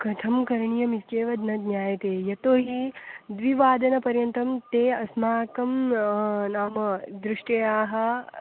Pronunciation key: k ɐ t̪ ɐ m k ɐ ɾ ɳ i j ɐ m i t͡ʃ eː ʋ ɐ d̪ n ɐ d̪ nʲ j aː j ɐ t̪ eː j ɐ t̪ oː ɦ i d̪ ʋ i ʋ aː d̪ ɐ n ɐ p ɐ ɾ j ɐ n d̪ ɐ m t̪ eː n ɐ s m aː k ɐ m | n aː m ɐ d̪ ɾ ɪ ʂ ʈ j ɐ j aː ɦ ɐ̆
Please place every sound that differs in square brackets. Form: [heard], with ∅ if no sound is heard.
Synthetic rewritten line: k ɐ [t̪ʰ] ɐ m k ɐ ɾ ɳ i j ɐ m i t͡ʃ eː ʋ ɐ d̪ n ɐ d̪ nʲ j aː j ɐ t̪ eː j ɐ t̪ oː ɦ i d̪ ʋ i ʋ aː d̪ ɐ n ɐ p ɐ ɾ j ɐ n [t̪] ɐ m t̪ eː [∅] ɐ s m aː k ɐ m | n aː m ɐ d̪ ɾ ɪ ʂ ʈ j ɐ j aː ɦ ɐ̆